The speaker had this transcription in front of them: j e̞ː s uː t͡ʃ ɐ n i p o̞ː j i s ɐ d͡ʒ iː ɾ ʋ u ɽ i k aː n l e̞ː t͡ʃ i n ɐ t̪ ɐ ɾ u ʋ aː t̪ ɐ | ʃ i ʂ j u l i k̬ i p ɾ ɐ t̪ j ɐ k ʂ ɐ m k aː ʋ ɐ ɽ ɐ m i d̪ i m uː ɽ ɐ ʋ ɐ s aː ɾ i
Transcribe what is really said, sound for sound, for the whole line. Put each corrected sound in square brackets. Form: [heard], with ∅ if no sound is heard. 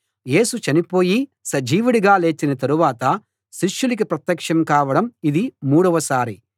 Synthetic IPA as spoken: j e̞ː s [u] t͡ʃ ɐ n i p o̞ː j i s ɐ d͡ʒ iː [∅] ʋ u ɽ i [ɡ] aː [∅] l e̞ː t͡ʃ i n ɐ t̪ ɐ ɾ u ʋ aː t̪ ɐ | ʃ i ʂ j u l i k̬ i p ɾ ɐ t̪ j ɐ k ʂ ɐ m k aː ʋ ɐ ɽ ɐ m i d̪ i m uː ɽ ɐ ʋ ɐ s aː ɾ i